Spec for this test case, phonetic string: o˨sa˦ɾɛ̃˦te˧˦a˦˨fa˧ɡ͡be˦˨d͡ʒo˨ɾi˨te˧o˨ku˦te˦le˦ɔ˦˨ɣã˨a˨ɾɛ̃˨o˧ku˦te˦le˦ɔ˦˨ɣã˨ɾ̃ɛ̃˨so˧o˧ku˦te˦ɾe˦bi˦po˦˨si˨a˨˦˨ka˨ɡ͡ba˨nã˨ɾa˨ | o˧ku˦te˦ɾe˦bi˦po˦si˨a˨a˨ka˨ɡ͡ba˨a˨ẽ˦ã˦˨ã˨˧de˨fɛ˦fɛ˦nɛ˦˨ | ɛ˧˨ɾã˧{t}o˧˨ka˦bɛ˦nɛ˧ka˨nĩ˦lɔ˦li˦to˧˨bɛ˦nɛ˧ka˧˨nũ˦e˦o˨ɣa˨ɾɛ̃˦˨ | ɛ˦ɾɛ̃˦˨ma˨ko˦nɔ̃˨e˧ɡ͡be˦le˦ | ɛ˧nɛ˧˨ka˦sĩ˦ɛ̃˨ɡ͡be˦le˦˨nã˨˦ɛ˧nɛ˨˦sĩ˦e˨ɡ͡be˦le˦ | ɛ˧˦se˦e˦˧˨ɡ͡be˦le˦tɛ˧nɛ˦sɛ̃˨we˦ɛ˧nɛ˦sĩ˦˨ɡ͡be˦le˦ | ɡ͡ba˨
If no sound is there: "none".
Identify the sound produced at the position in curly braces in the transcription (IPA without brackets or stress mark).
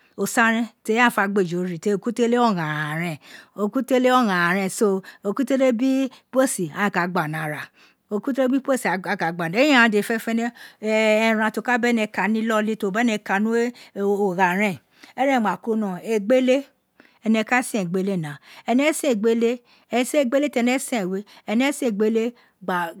t